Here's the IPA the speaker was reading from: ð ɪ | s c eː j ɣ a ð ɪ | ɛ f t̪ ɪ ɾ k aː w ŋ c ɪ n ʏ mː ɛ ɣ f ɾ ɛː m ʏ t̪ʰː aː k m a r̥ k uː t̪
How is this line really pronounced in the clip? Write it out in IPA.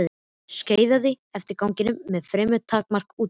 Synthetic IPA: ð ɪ | s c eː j ð a ð ɪ | ɛ f t̪ ɪ ɾ k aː w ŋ c ɪ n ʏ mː ɛ ð f ɾ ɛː m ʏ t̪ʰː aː k m a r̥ k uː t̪